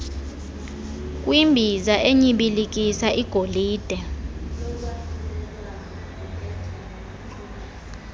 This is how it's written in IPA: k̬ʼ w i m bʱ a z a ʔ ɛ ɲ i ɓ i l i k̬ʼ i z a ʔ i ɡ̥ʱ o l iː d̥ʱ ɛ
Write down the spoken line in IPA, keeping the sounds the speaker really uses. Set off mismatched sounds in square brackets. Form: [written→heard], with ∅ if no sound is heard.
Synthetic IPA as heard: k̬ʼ w i m bʱ [a→i] z a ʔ [ɛ→e] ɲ i ɓ i l i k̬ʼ i [z→s] a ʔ i ɡ̥ʱ o l iː d̥ʱ ɛ